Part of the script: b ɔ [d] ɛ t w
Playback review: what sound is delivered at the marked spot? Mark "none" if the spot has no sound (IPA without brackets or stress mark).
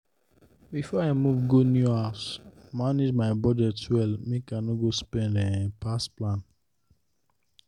d